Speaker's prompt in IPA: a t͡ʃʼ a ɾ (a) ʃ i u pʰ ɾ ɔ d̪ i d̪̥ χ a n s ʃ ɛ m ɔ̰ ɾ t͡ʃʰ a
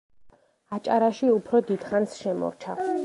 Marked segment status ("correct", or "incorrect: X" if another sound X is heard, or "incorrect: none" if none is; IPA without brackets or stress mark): correct